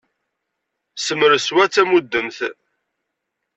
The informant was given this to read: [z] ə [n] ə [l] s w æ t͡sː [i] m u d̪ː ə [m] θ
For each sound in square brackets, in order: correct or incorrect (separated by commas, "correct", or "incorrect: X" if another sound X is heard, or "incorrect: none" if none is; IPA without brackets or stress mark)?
incorrect: s, incorrect: m, incorrect: ɾ, incorrect: æ, correct